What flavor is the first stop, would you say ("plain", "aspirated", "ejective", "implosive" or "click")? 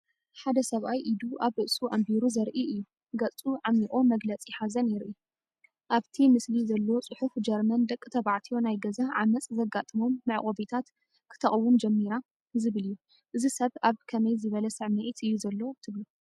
plain